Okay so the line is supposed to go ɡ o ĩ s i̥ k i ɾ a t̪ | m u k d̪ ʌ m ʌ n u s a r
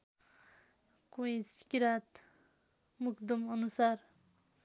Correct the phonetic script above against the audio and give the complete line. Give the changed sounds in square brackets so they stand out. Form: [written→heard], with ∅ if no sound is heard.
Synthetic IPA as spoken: [ɡ→k] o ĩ s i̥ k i ɾ a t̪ | m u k d̪ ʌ m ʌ n u s a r